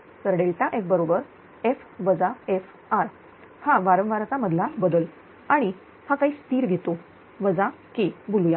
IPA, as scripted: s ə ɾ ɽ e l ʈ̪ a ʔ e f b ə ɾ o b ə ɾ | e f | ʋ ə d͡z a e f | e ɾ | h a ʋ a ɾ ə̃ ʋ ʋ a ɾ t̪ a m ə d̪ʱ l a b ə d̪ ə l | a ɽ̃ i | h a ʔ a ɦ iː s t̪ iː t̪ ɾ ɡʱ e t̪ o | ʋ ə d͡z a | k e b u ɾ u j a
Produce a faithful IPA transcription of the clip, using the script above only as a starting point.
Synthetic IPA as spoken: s ə ɾ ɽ e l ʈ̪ a ʔ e f b ə ɾ o b ə ɾ | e f | ʋ ə d͡z a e f | a ɾ | h a ʋ a ɾ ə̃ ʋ ʋ a ɾ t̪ a m ə d̪ʱ l a b ə d̪ ə l | a ɽ̃ i | h a k a ɦ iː s t̪ iː ɾ ɡʱ e t̪ o | ʋ ə d͡z a | k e b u l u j a